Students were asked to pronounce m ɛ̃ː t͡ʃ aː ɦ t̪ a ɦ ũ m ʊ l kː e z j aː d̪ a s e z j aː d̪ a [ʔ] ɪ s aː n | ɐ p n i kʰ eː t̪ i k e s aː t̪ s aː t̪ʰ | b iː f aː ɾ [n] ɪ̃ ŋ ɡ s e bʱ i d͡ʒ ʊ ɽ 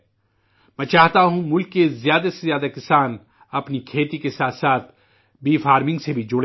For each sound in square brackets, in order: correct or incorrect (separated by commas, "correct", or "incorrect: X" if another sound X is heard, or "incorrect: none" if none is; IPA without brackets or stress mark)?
incorrect: k, incorrect: m